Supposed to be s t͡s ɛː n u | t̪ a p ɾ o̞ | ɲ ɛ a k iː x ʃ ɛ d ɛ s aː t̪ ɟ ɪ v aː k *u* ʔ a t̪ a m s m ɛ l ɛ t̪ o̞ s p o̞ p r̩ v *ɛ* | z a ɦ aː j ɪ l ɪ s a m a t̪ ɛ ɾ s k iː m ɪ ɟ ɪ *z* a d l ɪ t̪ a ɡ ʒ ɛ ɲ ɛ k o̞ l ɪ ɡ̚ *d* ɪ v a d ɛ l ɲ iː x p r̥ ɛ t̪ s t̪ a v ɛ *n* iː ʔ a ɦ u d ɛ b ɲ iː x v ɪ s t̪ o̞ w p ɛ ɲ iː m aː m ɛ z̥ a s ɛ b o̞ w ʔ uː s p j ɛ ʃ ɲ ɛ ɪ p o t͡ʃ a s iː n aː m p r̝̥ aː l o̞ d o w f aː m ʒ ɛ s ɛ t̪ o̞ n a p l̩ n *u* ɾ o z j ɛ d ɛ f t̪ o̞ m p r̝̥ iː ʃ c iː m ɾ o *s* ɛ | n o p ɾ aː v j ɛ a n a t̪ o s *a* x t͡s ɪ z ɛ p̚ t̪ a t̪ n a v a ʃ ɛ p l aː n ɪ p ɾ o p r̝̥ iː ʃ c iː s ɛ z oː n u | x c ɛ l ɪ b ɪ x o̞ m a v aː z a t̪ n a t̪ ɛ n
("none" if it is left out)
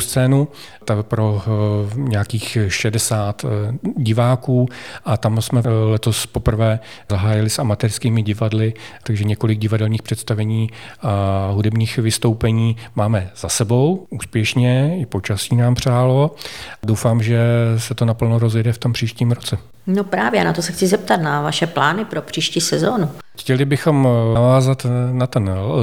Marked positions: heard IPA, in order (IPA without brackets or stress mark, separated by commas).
uː, ɛː, v, ɟ, ɲ, o, t͡s, ɛ